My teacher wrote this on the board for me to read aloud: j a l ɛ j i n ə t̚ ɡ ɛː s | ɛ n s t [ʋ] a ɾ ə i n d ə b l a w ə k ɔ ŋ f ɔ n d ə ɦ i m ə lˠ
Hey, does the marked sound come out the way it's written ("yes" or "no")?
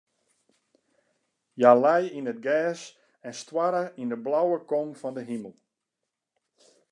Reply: no